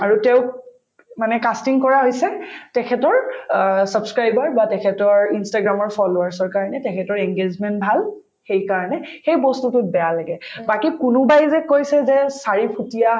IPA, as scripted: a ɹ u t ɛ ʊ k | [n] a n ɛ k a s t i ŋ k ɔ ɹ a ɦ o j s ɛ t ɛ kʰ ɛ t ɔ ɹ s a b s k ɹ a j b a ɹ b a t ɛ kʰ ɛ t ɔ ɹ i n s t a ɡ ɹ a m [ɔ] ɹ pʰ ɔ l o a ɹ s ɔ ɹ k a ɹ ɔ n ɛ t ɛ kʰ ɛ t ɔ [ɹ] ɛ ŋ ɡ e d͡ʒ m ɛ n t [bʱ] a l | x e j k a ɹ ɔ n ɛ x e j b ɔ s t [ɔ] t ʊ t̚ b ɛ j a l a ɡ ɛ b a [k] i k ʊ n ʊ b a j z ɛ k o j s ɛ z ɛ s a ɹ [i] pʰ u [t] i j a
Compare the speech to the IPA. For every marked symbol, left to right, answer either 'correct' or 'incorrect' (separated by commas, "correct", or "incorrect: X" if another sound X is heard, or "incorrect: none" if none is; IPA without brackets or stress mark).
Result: incorrect: m, correct, correct, correct, incorrect: u, correct, correct, correct